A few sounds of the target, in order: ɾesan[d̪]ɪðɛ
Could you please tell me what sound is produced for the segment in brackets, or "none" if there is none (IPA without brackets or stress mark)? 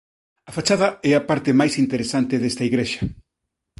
t̪